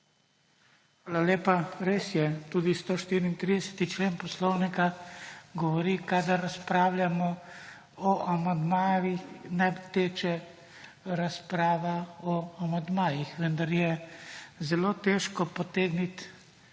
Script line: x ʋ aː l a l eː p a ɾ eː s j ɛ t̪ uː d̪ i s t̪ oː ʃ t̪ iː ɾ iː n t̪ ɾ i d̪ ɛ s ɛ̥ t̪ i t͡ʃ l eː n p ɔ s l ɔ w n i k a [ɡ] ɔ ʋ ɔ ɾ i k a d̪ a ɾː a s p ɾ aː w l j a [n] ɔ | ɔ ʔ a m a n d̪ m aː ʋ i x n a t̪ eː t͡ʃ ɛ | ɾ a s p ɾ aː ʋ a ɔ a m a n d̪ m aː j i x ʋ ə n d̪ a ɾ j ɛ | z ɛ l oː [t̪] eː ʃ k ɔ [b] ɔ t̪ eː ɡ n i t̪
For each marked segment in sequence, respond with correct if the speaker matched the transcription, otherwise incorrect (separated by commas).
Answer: correct, incorrect, correct, incorrect